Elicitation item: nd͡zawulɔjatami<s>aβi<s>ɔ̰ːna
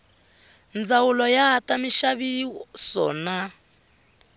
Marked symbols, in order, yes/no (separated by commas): no, yes